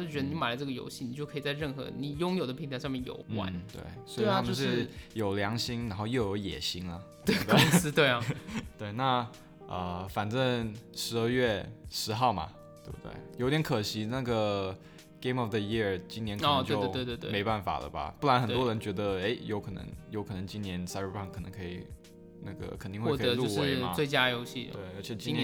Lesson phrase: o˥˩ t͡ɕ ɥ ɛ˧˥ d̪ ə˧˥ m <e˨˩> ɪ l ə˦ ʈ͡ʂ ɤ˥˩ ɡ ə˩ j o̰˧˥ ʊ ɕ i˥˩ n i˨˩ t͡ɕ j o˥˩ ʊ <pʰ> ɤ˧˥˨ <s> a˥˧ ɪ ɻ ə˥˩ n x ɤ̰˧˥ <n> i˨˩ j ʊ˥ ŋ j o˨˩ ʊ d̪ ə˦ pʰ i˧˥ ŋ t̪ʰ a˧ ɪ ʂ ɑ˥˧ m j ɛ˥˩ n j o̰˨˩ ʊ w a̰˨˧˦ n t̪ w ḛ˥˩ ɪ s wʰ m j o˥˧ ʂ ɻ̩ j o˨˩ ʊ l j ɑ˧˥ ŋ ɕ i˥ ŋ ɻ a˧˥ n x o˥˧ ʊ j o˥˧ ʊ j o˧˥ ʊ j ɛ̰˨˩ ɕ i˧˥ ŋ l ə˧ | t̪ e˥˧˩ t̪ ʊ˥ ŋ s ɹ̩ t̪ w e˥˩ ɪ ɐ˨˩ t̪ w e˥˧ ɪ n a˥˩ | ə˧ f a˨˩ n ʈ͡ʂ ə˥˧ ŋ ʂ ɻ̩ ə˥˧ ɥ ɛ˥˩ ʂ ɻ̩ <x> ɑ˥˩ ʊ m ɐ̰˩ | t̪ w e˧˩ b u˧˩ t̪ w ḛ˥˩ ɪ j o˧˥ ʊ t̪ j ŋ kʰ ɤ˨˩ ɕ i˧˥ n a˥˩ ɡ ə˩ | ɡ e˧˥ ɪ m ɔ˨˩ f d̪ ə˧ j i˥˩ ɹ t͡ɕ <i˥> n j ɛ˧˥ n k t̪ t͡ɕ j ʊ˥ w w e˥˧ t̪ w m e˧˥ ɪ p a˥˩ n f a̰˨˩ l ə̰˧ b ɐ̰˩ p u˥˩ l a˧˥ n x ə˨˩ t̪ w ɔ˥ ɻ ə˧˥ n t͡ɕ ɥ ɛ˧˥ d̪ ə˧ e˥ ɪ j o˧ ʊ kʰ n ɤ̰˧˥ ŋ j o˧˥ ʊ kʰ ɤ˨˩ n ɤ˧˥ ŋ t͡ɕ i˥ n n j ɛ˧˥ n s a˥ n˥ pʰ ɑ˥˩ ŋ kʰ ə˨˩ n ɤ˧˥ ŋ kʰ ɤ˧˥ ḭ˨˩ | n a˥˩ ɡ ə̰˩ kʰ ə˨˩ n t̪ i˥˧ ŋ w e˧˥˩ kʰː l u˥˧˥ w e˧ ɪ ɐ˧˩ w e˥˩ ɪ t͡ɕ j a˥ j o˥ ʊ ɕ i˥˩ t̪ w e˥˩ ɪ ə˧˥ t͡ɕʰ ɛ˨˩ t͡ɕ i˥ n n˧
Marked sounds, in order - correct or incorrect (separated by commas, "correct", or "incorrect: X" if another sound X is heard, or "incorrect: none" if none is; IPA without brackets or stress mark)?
incorrect: a˨˩, incorrect: kʰ, incorrect: t͡s, correct, correct, correct